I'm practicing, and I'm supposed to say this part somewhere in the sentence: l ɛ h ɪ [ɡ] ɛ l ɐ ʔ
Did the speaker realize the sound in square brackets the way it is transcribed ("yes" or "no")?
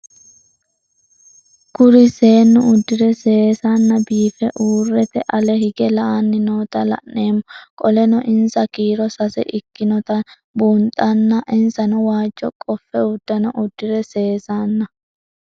yes